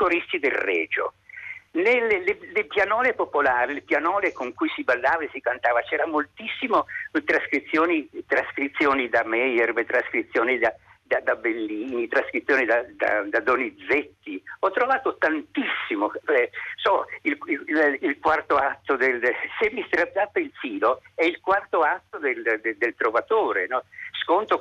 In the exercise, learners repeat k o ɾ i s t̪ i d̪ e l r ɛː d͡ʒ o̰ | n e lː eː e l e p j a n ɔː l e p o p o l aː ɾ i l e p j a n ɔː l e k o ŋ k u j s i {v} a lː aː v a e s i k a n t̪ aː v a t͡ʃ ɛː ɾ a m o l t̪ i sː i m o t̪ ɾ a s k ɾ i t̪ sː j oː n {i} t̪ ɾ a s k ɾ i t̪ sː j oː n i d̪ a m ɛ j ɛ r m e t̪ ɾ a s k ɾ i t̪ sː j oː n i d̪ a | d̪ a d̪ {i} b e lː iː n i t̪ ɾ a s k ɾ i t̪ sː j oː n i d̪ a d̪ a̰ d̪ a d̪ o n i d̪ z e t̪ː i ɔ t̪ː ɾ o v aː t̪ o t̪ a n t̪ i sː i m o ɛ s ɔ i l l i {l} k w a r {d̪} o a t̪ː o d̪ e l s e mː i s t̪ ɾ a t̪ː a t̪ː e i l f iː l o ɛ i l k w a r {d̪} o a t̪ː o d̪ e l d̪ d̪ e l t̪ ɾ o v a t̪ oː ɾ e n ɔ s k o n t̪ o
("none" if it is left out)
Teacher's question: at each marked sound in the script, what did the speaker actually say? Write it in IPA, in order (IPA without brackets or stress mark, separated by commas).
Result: b, i, a, l, t̪, t̪